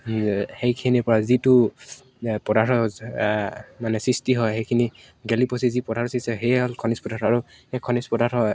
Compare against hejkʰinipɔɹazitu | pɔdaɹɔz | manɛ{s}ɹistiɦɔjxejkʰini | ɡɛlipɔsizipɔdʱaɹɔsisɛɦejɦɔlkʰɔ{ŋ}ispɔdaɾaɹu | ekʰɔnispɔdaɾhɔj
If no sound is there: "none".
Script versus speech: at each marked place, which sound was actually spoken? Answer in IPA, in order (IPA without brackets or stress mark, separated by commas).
s, n